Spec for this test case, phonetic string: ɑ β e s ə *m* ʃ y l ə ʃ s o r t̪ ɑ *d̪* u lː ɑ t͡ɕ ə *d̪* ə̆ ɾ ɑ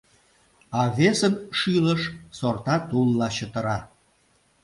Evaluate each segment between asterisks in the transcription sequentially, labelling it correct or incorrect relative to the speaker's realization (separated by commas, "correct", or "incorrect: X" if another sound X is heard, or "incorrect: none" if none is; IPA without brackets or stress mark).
incorrect: n, incorrect: t̪, incorrect: t̪